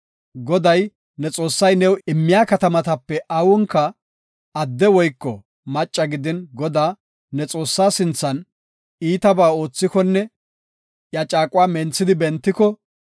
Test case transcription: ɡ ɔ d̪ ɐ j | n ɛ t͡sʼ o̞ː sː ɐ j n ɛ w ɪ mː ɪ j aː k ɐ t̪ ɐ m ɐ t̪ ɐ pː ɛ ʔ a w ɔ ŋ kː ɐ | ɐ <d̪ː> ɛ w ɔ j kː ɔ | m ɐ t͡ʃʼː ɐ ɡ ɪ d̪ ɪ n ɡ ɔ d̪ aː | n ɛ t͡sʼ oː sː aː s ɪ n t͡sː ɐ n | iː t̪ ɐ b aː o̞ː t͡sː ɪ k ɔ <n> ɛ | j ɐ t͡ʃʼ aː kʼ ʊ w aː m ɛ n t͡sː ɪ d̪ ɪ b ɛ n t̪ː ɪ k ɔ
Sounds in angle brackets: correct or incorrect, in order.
correct, incorrect

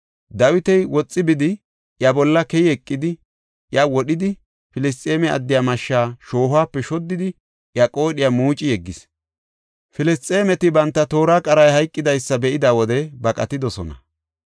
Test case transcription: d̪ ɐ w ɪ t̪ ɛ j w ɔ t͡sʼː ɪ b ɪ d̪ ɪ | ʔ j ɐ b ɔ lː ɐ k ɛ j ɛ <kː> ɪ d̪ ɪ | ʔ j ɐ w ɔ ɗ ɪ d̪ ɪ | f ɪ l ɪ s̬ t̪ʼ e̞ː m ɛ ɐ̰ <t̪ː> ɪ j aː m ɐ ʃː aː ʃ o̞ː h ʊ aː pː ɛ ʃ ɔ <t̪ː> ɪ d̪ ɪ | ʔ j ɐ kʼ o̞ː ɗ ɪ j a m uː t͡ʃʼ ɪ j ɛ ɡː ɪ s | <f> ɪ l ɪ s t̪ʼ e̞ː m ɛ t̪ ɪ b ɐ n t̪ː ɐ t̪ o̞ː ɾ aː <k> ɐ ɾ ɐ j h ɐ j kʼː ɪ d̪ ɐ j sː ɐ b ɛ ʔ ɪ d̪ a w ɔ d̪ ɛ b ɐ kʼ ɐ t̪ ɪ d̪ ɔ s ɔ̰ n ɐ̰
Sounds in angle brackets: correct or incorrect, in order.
incorrect, incorrect, incorrect, correct, incorrect

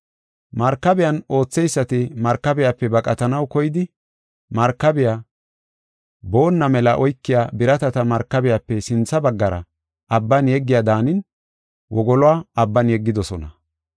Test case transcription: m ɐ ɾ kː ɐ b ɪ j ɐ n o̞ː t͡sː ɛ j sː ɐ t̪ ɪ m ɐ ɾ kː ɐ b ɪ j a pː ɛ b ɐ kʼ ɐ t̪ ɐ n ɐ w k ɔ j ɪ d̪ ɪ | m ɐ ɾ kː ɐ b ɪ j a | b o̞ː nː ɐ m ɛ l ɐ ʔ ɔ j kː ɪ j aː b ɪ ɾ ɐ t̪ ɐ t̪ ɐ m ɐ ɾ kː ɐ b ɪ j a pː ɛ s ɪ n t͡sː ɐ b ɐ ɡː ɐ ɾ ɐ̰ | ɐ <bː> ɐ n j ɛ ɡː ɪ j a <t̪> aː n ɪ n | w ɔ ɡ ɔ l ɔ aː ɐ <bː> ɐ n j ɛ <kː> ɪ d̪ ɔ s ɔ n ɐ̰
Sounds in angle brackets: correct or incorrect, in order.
correct, incorrect, correct, incorrect

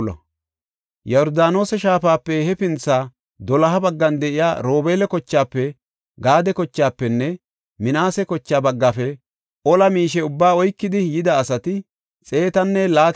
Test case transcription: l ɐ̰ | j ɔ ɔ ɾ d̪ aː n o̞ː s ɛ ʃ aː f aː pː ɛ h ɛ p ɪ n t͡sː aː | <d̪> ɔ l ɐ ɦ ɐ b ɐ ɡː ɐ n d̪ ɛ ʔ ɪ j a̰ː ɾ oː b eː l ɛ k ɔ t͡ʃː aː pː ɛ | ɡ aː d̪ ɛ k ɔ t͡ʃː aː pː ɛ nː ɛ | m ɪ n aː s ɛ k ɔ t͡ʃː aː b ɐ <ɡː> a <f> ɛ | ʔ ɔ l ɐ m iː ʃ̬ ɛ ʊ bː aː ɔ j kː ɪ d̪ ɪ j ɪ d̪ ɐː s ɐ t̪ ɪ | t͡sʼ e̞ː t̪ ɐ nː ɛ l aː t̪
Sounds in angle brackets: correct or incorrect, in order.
correct, correct, correct

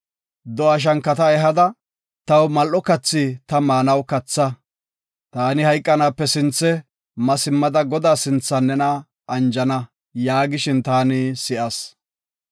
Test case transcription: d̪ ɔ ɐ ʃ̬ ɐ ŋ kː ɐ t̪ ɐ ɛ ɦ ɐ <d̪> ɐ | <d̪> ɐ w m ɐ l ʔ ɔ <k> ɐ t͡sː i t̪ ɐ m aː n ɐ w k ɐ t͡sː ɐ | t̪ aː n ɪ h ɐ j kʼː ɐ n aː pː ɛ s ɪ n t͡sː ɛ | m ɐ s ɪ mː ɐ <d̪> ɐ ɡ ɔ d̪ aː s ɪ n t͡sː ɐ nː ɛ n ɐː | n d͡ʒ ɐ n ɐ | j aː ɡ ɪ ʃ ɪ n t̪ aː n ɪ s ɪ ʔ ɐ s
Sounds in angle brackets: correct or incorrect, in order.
correct, incorrect, correct, correct

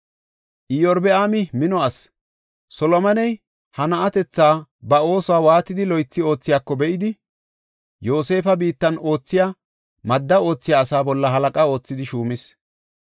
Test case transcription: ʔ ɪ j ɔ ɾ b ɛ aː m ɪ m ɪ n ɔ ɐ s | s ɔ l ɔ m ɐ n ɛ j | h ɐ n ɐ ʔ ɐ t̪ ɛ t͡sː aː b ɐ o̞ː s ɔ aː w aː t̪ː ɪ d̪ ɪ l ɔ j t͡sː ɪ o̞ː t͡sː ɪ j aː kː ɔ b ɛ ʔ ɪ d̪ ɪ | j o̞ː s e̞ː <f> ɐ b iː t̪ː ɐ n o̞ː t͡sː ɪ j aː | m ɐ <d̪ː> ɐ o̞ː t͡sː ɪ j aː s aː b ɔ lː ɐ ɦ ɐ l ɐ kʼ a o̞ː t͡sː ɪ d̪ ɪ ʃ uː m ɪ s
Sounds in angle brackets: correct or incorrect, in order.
correct, correct

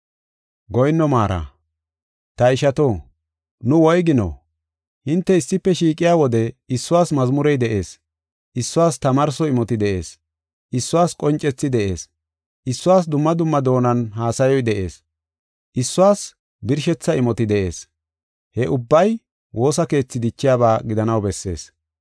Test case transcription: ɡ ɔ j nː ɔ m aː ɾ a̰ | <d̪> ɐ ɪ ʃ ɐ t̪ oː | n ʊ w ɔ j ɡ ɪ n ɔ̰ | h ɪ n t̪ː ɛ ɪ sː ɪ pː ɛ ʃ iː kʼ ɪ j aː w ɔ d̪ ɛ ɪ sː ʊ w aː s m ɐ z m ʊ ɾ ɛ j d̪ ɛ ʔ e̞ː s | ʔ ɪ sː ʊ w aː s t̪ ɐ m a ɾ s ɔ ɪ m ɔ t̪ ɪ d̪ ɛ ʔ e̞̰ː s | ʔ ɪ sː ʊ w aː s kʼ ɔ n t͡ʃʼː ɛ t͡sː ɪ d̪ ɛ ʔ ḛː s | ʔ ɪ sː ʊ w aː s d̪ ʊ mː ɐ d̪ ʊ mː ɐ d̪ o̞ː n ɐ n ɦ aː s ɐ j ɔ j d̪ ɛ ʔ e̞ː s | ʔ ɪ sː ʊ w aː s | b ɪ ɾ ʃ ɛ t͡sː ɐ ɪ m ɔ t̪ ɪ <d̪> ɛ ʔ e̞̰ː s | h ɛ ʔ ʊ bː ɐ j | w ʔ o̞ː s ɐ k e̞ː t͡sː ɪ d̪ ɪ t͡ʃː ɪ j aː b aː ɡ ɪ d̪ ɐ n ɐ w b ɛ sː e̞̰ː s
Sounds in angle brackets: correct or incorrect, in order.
incorrect, correct

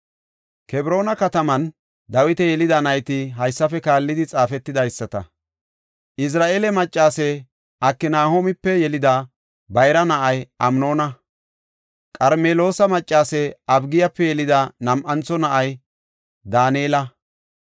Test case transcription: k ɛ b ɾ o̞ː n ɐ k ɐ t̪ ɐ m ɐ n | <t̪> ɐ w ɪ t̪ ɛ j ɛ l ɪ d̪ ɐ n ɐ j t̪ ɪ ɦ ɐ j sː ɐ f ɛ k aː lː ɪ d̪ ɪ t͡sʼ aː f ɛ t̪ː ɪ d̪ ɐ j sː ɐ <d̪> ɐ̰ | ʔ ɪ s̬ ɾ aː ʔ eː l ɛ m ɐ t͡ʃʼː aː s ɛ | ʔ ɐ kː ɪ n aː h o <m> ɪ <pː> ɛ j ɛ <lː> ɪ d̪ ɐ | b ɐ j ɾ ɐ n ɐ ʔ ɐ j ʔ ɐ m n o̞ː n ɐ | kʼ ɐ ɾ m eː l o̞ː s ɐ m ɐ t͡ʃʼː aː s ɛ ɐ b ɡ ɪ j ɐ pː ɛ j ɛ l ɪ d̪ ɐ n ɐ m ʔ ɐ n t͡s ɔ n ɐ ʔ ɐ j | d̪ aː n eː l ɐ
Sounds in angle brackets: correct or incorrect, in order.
incorrect, incorrect, correct, correct, incorrect

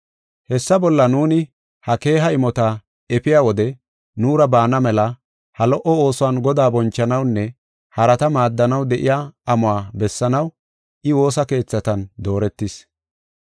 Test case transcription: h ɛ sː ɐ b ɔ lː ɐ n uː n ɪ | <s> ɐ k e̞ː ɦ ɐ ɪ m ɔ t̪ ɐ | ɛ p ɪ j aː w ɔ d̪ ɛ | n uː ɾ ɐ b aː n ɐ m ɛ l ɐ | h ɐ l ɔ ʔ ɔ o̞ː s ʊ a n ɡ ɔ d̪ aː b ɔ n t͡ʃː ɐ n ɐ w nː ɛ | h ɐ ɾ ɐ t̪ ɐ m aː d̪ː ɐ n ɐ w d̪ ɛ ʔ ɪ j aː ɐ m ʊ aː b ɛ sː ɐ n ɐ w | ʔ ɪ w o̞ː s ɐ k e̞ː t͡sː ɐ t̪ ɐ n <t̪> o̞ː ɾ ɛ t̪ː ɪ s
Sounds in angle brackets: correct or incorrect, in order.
incorrect, incorrect

